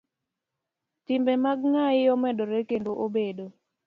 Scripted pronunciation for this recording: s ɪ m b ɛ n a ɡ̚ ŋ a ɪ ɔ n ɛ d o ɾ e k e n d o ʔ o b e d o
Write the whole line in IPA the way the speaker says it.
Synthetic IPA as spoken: t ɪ m b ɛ m a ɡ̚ ŋ a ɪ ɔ m ɛ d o ɾ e k e n d o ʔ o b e d o